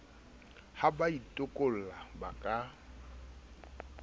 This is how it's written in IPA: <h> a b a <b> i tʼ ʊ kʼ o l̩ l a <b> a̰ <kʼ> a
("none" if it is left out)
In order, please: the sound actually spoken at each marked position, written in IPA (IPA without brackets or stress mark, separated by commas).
h, none, b, kʼ